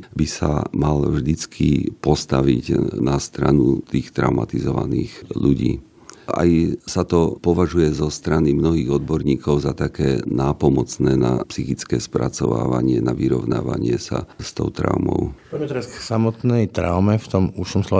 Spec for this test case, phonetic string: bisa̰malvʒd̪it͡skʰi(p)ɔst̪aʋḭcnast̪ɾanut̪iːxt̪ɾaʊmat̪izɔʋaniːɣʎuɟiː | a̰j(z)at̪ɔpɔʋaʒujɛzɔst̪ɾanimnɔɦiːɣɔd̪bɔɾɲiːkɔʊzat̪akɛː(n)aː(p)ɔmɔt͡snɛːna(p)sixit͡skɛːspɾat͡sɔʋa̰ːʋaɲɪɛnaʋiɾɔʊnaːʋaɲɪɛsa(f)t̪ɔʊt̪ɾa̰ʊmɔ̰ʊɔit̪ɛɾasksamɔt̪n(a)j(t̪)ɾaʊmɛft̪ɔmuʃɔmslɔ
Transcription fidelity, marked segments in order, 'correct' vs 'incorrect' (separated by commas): correct, incorrect, correct, correct, correct, incorrect, incorrect, correct